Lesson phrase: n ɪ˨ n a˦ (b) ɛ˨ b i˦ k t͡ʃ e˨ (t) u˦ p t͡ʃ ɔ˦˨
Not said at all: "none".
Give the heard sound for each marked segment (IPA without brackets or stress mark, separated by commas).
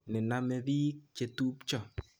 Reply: m, t